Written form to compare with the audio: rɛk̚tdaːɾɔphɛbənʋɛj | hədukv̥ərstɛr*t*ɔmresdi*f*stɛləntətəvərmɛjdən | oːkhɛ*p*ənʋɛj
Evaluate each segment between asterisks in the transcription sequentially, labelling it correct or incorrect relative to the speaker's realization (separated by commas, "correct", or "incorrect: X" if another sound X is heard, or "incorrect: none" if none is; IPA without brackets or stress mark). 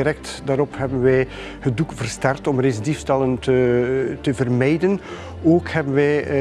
correct, correct, incorrect: b